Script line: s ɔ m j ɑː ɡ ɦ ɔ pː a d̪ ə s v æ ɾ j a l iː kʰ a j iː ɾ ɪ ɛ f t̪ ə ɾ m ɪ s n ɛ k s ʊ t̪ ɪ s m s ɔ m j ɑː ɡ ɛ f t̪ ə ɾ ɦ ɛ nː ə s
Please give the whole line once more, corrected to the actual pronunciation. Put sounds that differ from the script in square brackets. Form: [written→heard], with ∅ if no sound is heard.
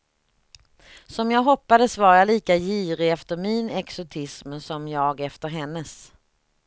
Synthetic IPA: s ɔ m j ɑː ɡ ɦ ɔ pː a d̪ ə s v [æ→a] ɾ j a l iː [kʰ→k] a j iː ɾ ɪ ɛ f t̪ ə ɾ m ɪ [s→∅] n ɛ k s ʊ [t̪→t̪ʰ] ɪ s m s ɔ m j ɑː ɡ ɛ f t̪ ə ɾ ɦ ɛ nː ə s